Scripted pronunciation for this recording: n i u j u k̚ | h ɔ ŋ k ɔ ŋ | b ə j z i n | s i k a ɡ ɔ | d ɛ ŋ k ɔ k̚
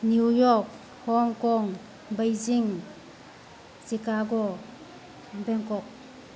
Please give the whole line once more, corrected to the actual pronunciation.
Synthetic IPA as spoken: n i u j ɔ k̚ | h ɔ ŋ k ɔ ŋ | b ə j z i ŋ | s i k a ɡ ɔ | b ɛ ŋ k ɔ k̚